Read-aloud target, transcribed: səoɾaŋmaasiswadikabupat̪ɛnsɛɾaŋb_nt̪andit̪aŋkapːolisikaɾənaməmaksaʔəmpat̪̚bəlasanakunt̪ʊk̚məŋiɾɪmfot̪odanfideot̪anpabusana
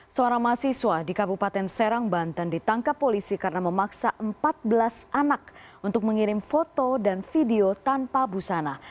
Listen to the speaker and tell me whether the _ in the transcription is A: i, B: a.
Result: B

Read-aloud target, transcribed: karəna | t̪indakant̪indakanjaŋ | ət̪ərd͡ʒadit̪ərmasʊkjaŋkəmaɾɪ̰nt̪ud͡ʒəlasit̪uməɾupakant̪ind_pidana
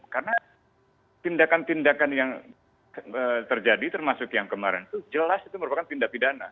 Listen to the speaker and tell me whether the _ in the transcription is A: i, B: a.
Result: B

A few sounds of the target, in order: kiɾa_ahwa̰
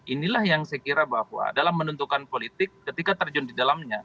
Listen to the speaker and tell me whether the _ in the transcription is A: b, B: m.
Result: A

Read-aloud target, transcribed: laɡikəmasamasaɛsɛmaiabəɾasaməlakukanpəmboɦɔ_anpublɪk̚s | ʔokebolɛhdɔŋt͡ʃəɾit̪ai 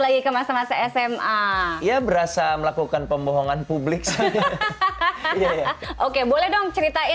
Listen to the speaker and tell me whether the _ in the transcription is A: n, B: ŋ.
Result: B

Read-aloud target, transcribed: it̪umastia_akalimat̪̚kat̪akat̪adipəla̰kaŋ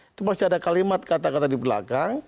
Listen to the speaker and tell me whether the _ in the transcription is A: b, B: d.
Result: B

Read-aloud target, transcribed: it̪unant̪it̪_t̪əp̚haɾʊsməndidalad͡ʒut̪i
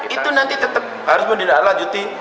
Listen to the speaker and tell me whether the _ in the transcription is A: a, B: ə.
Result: B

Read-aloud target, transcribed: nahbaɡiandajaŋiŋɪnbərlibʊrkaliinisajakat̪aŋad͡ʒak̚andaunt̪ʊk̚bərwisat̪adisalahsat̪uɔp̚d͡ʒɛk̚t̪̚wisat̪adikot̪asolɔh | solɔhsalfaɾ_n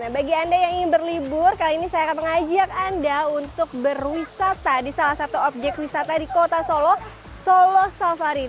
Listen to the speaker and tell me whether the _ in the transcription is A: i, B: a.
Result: A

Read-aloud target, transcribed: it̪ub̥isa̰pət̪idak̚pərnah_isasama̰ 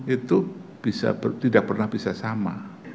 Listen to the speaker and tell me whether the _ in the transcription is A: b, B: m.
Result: A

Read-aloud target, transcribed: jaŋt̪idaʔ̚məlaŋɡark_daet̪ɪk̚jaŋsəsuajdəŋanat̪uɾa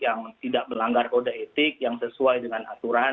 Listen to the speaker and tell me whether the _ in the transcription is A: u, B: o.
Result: B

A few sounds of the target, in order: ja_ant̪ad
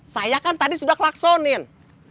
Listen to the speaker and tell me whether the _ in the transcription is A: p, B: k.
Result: B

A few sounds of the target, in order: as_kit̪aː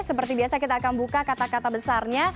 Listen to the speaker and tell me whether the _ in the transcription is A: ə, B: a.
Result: B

